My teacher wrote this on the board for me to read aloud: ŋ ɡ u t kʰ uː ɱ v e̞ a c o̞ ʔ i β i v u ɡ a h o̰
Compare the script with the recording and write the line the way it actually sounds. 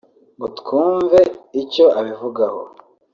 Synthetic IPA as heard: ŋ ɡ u t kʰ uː ɱ v e̞ i c o̞ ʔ a β i v u ɡ a h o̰